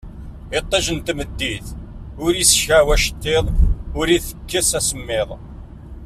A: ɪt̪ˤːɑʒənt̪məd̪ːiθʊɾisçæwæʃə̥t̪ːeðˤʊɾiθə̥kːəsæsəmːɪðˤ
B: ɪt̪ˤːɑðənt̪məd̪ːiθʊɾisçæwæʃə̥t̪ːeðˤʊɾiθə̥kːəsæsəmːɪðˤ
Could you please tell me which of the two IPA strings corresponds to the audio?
A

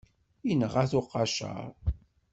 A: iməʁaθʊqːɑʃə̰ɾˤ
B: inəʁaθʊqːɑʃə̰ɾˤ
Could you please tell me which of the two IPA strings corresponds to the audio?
B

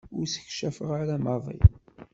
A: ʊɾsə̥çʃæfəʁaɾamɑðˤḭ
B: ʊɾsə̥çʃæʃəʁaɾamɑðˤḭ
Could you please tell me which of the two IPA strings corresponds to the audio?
A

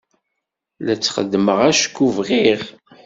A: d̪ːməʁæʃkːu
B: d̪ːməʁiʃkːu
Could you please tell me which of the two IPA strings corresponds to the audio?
A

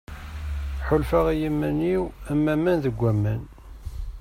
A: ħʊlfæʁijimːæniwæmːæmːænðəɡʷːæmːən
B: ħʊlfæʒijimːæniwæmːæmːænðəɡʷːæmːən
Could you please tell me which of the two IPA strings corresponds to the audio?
A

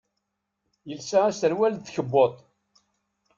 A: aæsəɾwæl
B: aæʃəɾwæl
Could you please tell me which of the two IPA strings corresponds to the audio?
A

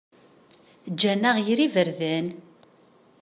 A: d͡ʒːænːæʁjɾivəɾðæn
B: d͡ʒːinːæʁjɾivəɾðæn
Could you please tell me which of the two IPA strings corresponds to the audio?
A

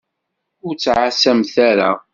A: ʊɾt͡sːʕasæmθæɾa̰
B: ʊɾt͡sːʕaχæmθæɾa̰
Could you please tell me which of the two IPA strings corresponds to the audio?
A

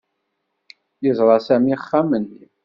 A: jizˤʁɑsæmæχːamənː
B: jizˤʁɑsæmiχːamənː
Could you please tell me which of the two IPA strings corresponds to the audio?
B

